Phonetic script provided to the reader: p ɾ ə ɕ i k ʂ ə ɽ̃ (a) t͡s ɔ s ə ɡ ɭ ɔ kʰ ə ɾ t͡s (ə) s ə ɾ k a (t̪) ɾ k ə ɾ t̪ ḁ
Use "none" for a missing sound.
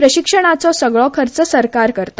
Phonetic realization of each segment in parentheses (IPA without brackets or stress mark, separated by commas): a, ə, none